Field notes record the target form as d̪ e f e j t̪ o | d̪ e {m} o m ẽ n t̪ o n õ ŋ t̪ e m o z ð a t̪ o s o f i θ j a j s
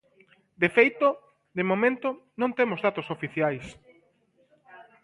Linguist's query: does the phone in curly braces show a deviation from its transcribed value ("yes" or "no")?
no